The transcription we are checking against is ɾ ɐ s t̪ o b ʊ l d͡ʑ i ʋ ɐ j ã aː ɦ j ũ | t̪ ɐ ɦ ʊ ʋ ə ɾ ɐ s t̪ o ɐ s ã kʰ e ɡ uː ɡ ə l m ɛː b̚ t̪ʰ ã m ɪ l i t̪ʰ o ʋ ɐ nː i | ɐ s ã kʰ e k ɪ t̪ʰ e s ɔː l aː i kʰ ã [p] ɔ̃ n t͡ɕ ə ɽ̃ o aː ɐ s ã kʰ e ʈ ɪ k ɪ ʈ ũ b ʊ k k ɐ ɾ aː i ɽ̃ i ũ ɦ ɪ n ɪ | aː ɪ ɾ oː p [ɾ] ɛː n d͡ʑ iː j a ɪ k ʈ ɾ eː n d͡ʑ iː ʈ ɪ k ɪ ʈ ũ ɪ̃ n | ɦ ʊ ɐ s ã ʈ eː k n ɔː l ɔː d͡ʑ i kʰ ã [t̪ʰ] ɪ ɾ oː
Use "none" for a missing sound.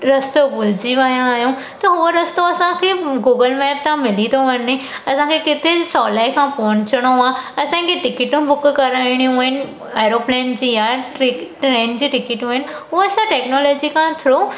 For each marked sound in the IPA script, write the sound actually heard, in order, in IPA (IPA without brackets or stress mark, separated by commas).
p, l, t̪ʰ